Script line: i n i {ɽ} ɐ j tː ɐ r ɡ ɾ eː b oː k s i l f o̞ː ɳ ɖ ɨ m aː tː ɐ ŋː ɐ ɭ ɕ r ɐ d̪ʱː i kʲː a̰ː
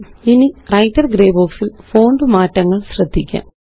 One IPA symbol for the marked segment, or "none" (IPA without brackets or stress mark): r